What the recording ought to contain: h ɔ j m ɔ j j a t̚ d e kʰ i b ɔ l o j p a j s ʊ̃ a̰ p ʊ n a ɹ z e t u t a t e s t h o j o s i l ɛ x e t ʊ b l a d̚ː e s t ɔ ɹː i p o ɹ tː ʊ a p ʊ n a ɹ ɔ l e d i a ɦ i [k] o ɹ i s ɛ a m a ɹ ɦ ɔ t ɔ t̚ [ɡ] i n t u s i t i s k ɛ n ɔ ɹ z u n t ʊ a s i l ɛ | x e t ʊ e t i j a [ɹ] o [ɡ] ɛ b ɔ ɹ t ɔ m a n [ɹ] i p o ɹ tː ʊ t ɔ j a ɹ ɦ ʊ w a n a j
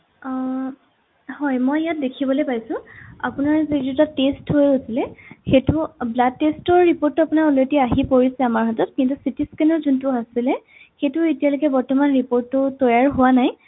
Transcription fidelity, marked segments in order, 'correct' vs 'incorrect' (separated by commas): incorrect, incorrect, incorrect, incorrect, correct